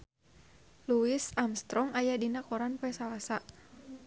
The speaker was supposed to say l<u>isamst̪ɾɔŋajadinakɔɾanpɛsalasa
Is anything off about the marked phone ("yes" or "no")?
no